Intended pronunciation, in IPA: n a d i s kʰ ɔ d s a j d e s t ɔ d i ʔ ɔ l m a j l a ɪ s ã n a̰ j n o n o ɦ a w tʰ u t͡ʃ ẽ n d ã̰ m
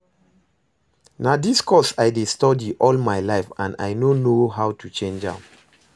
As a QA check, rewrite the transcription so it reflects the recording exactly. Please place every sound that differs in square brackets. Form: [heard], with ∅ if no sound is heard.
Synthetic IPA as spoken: n a d i s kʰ ɔ [∅] s a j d e s t ɔ d i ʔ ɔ l m a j l a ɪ [f] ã n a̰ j n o n o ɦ a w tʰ u t͡ʃ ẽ n [d͡ʒ] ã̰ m